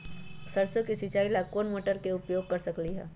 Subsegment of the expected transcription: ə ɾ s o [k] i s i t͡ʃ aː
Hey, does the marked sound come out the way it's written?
yes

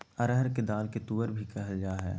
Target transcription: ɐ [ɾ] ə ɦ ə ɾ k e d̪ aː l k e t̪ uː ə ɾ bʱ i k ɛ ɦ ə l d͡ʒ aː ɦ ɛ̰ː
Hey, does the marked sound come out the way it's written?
yes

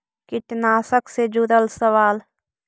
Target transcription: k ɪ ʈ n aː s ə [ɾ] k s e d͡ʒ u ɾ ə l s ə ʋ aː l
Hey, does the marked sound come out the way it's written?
no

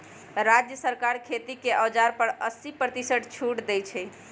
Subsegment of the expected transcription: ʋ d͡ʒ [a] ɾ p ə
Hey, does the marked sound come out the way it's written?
yes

